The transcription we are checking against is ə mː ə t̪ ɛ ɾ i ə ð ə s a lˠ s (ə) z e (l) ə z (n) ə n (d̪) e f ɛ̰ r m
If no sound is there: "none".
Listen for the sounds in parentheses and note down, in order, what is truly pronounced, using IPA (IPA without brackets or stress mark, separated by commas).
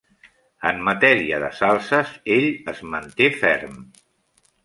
ə, ʎ, m, t̪